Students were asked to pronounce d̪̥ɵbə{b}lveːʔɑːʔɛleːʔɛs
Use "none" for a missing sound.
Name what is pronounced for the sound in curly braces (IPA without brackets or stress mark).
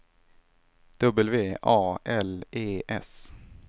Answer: none